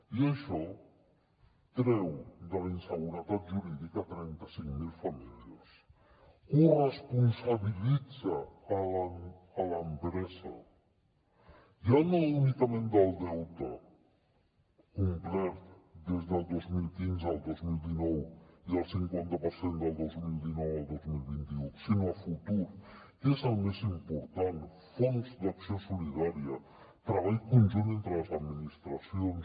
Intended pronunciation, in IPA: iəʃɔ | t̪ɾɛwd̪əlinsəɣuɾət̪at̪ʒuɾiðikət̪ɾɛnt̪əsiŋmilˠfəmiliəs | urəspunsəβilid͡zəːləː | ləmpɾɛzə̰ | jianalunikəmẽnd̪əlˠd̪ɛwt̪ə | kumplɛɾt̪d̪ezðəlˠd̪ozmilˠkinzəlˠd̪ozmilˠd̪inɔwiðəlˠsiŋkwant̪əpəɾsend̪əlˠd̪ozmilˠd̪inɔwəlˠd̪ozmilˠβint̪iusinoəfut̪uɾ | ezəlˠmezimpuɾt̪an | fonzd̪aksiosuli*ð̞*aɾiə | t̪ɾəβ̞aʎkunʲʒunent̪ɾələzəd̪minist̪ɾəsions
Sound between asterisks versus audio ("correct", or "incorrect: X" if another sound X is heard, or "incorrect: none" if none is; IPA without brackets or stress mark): correct